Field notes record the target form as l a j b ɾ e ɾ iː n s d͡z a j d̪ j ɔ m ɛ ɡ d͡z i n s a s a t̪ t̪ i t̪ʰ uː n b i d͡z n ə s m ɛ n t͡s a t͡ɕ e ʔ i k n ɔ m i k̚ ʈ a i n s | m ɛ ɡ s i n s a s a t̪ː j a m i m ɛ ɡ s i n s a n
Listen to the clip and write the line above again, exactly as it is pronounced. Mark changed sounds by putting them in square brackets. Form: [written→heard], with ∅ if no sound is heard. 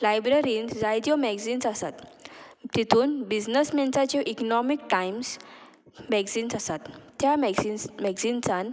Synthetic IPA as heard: l a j b ɾ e ɾ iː n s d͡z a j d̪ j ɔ m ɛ ɡ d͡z i n s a s a t̪ t̪ i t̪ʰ uː n b i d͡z n ə s m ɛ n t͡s a t͡ɕ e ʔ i k n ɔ m i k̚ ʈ a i [n→m] s | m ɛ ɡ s i n s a s a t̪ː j a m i m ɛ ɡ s i n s a n